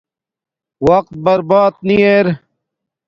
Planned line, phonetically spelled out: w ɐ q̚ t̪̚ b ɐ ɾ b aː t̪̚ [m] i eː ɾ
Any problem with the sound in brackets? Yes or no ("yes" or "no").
yes